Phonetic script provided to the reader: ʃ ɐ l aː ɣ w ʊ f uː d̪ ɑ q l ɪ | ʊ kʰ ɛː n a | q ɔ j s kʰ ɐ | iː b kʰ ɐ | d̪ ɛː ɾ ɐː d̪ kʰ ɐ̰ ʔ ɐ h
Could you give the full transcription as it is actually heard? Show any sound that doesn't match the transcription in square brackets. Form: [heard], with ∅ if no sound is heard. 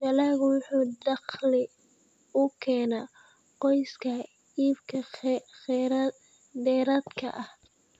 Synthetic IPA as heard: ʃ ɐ l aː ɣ w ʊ [ħ] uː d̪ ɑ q l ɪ | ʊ kʰ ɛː n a | q ɔ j s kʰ ɐ | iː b kʰ ɐ | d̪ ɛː ɾ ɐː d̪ kʰ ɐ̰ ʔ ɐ h